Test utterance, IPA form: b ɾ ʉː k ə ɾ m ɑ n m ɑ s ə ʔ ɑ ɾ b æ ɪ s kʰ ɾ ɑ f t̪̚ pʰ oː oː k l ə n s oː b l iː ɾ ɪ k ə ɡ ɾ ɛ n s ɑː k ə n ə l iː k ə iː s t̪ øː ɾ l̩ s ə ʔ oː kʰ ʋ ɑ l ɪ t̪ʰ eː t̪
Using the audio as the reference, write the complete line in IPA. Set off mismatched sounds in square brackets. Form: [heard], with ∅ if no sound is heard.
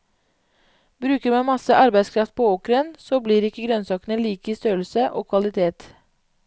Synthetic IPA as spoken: b ɾ ʉː k ə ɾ m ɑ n m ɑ s ə ʔ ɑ ɾ b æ ɪ s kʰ ɾ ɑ f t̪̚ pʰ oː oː k [ɾ] ə n s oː b l iː ɾ ɪ k ə ɡ ɾ [œ] n s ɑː k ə n ə l iː k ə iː s t̪ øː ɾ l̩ s ə ʔ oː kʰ ʋ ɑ l ɪ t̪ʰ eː t̪